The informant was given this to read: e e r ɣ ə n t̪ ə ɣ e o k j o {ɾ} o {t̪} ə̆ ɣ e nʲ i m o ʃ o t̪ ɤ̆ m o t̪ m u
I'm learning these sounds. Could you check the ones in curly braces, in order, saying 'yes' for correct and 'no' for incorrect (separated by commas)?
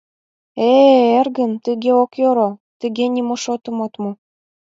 yes, yes